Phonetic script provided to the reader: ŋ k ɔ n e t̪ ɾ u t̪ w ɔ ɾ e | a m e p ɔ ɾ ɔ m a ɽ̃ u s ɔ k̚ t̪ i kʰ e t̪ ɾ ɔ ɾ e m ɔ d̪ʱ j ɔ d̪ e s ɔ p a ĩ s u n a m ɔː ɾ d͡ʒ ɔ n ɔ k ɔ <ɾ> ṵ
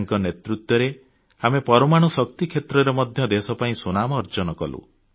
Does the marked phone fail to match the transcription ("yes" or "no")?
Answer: yes